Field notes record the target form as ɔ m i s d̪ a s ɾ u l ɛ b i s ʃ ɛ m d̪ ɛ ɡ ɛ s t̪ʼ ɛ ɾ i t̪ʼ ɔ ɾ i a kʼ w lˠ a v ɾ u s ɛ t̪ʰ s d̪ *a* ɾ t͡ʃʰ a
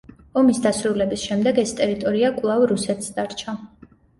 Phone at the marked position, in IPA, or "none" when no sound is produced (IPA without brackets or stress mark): a